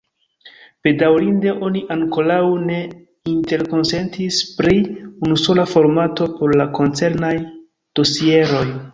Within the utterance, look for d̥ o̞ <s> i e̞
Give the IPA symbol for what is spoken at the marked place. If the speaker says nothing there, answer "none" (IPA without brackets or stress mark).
s